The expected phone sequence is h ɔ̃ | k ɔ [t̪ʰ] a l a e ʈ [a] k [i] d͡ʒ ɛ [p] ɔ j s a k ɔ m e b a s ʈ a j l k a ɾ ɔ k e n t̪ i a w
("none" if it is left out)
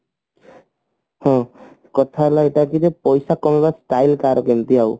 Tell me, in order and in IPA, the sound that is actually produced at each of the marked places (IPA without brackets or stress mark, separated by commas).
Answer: t̪ʰ, a, i, p